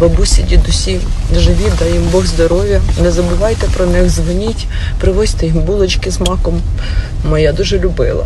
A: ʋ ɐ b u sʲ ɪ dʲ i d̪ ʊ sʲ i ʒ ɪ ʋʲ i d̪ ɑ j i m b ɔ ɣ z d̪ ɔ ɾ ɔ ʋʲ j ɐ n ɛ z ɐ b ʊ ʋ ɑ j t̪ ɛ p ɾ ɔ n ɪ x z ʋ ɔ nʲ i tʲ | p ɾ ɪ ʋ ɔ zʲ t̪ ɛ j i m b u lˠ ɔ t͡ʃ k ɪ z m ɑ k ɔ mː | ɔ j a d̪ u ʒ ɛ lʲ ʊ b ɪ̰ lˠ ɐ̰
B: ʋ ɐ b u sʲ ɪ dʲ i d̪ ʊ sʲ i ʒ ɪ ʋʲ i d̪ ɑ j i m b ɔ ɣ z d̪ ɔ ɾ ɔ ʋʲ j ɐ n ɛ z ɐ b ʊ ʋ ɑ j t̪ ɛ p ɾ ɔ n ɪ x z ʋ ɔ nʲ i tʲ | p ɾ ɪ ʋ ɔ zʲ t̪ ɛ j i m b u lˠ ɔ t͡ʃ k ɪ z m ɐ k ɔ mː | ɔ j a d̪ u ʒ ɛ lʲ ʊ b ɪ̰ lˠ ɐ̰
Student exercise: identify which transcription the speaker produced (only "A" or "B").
A